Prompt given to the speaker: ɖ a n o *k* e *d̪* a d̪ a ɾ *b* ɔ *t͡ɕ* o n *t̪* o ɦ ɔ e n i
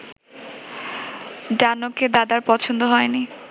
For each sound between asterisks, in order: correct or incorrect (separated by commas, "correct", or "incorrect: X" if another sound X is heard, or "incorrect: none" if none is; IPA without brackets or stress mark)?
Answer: correct, correct, incorrect: p, incorrect: t͡ɕʰ, incorrect: d̪